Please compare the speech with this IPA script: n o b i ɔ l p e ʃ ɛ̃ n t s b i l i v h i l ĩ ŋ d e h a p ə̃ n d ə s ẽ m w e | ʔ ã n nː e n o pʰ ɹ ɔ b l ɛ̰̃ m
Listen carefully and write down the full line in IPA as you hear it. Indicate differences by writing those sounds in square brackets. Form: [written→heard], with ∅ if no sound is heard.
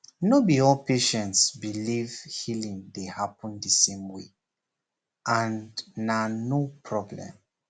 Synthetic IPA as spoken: n o b i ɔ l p e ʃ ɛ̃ n t s b i l i v h i l ĩ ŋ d e h a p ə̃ n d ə s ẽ m w e | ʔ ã n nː [e→a] n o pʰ ɹ ɔ b l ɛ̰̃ m